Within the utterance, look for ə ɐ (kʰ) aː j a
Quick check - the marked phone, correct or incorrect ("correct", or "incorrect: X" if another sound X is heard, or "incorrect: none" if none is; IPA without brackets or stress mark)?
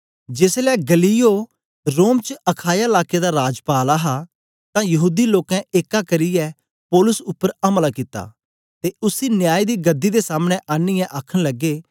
correct